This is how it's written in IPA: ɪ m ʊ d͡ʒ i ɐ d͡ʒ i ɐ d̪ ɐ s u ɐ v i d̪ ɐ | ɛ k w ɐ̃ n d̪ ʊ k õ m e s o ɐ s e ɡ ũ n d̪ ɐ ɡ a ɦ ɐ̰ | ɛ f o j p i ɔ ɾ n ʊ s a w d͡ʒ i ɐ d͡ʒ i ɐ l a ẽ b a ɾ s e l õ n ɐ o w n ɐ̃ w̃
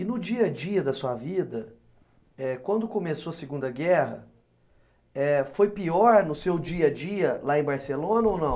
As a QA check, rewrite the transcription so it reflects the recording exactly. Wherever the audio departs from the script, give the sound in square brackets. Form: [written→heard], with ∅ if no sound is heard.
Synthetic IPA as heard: ɪ [m→n] ʊ d͡ʒ i ɐ d͡ʒ i ɐ d̪ ɐ s u ɐ v i d̪ ɐ | ɛ k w ɐ̃ n d̪ ʊ k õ m e s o ɐ s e ɡ ũ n d̪ ɐ ɡ [a→ɛ] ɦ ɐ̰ | ɛ f o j p i ɔ ɾ n ʊ s [a→e] w d͡ʒ i ɐ d͡ʒ i ɐ l a ẽ b a ɾ s e l õ n ɐ o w n ɐ̃ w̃